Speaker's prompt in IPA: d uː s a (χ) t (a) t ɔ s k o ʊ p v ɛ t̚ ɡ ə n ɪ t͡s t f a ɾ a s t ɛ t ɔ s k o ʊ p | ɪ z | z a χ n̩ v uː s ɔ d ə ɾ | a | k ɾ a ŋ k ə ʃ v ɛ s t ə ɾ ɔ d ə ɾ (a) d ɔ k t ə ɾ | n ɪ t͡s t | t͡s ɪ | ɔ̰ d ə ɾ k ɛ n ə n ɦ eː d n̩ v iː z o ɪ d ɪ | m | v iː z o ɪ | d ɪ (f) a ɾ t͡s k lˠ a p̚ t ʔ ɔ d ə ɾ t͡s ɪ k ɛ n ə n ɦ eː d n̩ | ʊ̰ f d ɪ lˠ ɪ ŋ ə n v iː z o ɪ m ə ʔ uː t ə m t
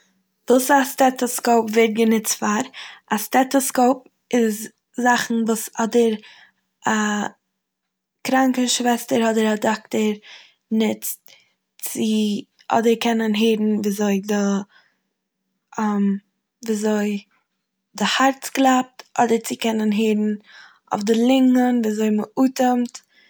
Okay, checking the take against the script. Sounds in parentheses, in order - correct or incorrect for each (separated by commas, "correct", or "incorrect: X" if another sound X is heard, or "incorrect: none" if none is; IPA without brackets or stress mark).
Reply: incorrect: s, incorrect: ɛ, correct, incorrect: h